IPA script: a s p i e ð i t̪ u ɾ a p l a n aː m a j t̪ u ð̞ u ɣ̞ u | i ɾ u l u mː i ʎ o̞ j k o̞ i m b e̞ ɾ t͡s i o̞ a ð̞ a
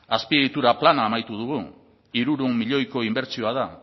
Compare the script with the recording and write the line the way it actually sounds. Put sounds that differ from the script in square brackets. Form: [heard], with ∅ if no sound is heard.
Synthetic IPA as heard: a s p i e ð i t̪ u ɾ a p l a n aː m a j t̪ u ð̞ u ɣ̞ u | i ɾ u [ɾ] u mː i ʎ o̞ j k o̞ i m b e̞ ɾ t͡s i o̞ a ð̞ a